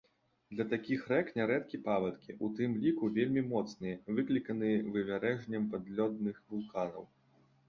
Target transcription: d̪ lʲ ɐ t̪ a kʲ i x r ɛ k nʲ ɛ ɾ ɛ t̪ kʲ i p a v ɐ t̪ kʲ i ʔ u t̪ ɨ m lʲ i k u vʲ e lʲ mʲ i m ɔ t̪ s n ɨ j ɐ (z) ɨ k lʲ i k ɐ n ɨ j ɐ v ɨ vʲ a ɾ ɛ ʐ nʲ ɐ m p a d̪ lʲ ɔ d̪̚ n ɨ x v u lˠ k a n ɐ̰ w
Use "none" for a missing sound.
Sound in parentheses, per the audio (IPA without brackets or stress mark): v